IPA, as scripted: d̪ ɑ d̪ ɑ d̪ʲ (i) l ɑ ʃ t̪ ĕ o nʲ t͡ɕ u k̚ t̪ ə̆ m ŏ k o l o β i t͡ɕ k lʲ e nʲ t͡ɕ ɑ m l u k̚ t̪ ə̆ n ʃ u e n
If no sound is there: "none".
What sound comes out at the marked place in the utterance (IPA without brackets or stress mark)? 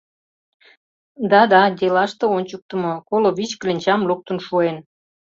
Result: e